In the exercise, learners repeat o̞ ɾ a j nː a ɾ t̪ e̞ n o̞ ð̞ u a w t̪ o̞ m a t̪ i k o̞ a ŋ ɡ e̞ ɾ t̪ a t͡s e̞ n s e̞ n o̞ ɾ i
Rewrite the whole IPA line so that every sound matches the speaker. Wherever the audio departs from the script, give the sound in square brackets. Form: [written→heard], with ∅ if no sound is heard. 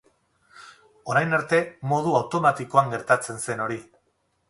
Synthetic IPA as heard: o̞ ɾ a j [nː→n] a ɾ t̪ e̞ [n→m] o̞ ð̞ u a w t̪ o̞ m a t̪ i k o̞ a ŋ ɡ e̞ ɾ t̪ a t͡s e̞ n s e̞ n o̞ ɾ i